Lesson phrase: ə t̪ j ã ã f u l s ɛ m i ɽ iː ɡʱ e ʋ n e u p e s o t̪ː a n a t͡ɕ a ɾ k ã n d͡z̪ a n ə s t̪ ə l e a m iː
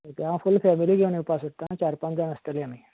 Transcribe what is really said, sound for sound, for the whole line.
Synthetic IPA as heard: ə t̪ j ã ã f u l f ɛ m i l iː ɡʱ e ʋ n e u p a s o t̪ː a n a t͡ɕ a ɾ p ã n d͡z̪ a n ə s t̪ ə l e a m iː